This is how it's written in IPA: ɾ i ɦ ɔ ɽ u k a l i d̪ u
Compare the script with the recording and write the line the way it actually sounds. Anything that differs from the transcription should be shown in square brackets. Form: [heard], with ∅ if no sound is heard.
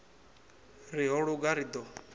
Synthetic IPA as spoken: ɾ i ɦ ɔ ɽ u [ɡ] a [ɾ] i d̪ [ɔ]